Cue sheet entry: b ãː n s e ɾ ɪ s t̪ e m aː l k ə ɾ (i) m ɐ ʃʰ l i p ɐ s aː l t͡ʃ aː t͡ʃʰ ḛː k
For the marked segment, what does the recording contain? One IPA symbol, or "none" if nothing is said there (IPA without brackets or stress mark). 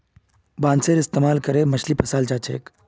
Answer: e